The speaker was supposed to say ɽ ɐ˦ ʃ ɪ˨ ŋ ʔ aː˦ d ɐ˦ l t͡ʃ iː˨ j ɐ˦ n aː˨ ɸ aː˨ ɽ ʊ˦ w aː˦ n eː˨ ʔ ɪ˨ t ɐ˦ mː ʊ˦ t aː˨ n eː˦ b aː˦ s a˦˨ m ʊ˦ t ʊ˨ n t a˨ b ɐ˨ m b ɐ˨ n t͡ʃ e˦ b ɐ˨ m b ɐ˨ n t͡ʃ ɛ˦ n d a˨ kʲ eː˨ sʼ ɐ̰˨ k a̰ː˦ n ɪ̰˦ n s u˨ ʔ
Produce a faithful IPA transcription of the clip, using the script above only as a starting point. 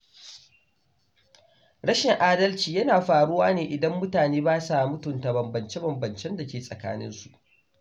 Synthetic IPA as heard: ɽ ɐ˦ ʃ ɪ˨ ŋ ʔ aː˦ d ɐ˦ l t͡ʃ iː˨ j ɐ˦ n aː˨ ɸ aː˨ ɽ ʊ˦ w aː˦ n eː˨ ʔ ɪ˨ d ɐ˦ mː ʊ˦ t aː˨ n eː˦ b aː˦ s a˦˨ m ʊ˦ t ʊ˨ n t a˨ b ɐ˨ m b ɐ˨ n t͡ʃ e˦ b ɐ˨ m b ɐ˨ n t͡ʃ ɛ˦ n d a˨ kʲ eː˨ sʼ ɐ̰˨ k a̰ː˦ n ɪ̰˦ n s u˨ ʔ